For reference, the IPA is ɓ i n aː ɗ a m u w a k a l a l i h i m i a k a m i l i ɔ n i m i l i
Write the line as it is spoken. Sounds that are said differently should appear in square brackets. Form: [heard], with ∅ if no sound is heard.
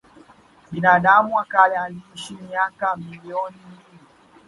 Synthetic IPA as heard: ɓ i n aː ɗ a m u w a k a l a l i [ʃ] i m i a k a m i l i ɔ n i m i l i